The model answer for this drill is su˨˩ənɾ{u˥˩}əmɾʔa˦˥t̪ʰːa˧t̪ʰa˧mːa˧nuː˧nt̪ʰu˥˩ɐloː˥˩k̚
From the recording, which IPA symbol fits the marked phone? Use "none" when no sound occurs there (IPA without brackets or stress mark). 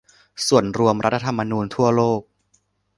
u˧